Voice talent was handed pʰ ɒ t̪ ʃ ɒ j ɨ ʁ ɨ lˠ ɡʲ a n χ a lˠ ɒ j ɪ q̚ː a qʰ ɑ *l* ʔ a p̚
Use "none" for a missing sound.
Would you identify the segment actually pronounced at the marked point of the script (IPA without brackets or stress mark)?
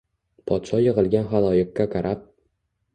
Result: ɾ